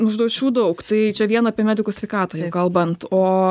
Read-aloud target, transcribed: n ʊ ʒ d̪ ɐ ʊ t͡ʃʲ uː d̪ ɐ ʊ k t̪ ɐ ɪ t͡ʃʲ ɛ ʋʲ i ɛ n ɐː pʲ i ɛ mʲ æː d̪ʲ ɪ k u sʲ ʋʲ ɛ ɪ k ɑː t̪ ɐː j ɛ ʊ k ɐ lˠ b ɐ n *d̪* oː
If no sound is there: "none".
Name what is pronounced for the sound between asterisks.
t̪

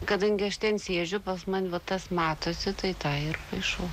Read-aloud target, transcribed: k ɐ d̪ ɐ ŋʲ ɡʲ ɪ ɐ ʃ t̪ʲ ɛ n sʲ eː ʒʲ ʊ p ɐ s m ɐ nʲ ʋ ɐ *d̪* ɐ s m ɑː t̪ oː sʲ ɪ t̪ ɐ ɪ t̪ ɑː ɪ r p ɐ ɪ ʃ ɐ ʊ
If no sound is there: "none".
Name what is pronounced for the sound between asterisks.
t̪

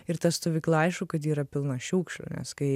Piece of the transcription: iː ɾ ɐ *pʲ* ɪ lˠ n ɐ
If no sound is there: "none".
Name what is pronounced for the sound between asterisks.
pʲ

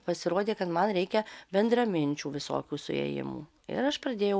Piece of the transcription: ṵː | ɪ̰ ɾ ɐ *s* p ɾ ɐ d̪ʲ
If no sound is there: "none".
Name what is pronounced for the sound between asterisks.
ʃ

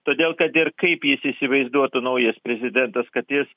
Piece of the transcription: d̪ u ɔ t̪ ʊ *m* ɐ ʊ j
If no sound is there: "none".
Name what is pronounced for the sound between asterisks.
n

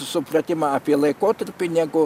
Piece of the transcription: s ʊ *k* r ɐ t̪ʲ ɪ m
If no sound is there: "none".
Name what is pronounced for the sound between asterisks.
p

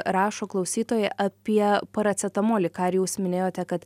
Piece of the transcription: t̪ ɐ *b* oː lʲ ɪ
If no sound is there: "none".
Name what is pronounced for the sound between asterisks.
m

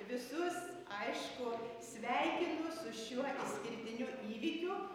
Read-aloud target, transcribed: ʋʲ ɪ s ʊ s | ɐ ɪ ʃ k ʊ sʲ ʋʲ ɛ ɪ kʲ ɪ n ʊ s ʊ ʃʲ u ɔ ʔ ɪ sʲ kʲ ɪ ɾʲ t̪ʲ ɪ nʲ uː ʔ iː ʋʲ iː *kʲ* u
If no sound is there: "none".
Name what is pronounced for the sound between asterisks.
kʲ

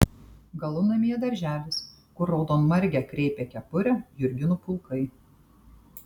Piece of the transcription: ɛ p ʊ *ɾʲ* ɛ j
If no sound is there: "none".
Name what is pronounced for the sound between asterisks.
ɾʲ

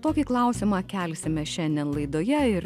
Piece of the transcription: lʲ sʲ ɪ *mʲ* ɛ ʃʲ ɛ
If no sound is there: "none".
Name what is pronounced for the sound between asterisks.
mʲ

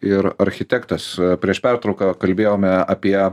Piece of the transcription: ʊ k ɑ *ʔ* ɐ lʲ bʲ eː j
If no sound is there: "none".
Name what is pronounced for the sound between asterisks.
k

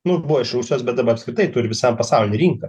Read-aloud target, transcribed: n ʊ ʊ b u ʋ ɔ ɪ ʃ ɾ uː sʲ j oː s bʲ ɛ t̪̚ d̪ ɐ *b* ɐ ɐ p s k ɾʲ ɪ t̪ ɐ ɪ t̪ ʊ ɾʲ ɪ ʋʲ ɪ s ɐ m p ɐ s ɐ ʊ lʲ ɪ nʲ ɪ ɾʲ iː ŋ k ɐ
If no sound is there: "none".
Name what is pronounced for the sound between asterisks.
b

